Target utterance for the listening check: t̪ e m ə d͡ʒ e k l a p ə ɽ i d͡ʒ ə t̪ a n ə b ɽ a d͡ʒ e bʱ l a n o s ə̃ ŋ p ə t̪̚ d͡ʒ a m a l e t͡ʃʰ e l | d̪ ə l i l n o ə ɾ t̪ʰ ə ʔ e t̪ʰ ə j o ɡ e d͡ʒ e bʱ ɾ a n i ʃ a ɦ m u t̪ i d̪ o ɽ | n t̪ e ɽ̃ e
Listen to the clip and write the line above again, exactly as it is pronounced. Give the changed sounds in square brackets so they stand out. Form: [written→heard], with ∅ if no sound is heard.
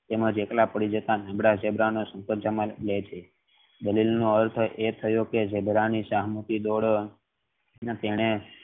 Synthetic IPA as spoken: t̪ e m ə d͡ʒ e k l a p ə ɽ i d͡ʒ ə t̪ a n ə b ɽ a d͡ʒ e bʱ [l→ɾ] a n o s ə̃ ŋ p ə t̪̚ d͡ʒ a m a l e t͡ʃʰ e [l→∅] | d̪ ə l i l n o ə ɾ t̪ʰ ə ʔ e t̪ʰ ə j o [ɡ→k] e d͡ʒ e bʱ ɾ a n i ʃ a ɦ m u t̪ i d̪ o ɽ | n t̪ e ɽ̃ e